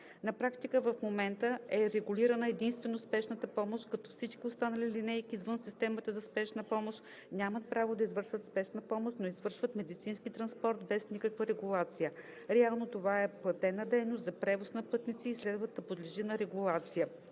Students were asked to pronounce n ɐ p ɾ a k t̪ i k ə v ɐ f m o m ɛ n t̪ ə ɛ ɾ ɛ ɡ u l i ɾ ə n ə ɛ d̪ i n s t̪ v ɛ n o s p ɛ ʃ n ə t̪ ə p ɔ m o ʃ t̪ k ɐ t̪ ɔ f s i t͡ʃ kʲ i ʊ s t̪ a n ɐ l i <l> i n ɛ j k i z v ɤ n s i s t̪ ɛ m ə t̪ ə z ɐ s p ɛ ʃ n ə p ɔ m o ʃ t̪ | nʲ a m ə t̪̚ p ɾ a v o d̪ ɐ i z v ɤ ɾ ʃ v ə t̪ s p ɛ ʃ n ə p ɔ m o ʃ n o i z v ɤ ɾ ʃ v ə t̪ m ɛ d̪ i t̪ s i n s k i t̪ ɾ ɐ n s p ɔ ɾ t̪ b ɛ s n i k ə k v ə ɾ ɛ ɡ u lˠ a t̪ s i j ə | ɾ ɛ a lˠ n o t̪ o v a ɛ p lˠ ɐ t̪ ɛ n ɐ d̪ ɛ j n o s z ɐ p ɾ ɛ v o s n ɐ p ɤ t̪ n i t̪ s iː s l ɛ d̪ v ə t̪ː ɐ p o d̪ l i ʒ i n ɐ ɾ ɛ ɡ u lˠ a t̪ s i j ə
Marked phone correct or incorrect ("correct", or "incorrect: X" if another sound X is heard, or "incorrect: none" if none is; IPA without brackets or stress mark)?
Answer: correct